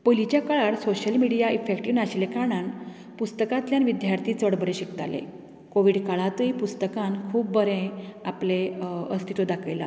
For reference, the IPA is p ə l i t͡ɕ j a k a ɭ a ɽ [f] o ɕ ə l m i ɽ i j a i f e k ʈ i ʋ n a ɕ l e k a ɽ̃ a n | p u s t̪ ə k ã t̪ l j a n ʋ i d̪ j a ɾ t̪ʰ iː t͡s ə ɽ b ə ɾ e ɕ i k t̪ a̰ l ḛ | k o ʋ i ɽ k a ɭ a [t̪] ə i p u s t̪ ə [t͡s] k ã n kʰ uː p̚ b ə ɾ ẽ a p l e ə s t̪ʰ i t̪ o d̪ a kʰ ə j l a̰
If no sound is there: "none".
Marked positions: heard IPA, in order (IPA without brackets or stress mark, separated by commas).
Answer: s, t̪, none